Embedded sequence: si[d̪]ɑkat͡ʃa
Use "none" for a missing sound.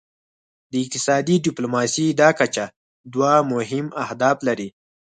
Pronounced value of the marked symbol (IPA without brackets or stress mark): d̪